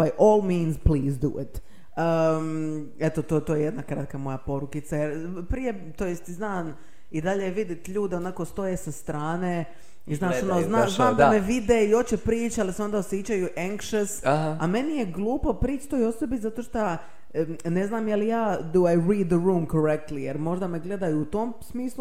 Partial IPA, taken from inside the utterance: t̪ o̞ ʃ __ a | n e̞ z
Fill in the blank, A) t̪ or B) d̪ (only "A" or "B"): A